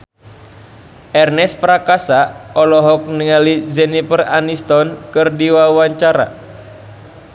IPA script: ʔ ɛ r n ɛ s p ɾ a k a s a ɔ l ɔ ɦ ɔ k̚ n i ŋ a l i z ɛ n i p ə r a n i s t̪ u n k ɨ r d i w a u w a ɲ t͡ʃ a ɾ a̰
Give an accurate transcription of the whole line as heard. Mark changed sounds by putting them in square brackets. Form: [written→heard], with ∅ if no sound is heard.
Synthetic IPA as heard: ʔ ɛ r n ɛ s p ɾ a k a s a ɔ l ɔ ɦ ɔ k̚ n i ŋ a l i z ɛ n i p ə r a n i s t̪ [u→ɔ] n k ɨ r d i w a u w a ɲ t͡ʃ a ɾ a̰